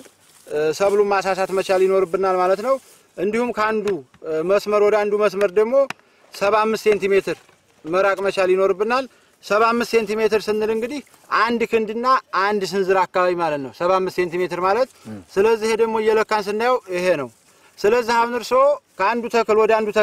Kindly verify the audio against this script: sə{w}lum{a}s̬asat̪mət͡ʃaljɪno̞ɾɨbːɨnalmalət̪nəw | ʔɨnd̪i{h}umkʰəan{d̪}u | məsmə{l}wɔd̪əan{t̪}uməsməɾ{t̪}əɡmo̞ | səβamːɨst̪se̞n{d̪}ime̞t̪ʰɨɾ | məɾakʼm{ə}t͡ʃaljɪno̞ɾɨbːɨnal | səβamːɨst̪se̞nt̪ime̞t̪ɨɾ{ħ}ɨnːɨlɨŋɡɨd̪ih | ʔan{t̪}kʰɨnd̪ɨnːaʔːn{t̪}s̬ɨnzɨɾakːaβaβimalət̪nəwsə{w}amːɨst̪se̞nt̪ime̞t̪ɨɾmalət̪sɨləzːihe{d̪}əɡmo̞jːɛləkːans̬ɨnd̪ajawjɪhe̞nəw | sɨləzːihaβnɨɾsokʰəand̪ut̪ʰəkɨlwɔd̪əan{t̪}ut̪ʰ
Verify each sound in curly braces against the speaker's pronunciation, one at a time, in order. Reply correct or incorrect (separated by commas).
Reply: incorrect, correct, correct, correct, incorrect, incorrect, incorrect, incorrect, correct, incorrect, incorrect, incorrect, incorrect, correct, incorrect